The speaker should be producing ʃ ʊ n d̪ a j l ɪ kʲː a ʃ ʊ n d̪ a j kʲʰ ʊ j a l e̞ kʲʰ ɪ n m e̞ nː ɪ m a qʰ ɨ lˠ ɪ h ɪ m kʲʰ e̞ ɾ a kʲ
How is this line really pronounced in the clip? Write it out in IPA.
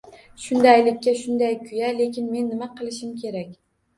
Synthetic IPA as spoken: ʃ ʊ n d̪ a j l ɪ kʲː a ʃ ʊ n d̪ a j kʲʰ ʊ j a l e̞ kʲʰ ɪ n m e̞ nː ɪ m a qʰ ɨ lˠ ɪ ʃ ɪ m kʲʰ e̞ ɾ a kʲ